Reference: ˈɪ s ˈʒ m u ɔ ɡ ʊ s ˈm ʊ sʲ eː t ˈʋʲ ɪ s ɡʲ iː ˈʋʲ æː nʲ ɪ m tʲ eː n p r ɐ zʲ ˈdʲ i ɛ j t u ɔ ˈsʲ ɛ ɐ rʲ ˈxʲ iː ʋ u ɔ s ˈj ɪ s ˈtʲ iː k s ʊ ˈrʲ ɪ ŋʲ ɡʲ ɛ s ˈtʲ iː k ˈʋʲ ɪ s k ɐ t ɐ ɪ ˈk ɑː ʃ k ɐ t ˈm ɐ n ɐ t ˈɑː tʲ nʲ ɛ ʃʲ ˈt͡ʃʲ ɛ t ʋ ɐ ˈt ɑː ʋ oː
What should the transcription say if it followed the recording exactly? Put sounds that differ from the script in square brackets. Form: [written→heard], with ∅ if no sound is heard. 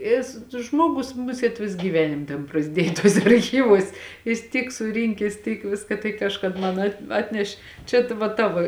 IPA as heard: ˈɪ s ˈʒ m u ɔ ɡ ʊ s ˈm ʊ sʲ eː t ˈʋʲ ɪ s ɡʲ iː ˈʋʲ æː nʲ ɪ m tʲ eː n p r ɐ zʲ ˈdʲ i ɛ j t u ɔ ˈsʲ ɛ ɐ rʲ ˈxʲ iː ʋ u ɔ s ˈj ɪ s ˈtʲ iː k s ʊ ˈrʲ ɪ ŋʲ [ɡʲ→kʲ] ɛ s ˈtʲ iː k ˈʋʲ ɪ s k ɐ t ɐ ɪ ˈk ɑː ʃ k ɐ t ˈm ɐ n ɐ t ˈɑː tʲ nʲ ɛ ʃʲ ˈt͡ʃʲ ɛ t ʋ ɐ ˈt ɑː ʋ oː